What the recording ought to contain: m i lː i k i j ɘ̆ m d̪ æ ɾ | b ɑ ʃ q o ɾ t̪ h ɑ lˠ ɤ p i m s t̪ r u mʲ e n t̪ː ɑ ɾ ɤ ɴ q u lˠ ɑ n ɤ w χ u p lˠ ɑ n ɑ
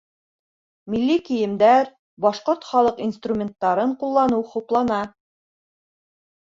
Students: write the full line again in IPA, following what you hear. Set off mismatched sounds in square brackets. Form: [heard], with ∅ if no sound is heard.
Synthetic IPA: m i lː i k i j ɘ̆ m d̪ æ ɾ | b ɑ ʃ q o ɾ t̪ [χ] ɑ lˠ ɤ [q] i [n] s t̪ r u mʲ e n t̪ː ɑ ɾ ɤ ɴ q u [lˠː] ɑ n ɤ w χ u p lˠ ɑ n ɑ